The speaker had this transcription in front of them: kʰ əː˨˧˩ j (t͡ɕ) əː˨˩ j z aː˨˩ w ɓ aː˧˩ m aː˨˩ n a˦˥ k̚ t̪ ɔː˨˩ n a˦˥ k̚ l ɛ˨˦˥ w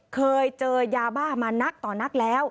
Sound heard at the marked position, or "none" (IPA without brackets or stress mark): t͡ɕ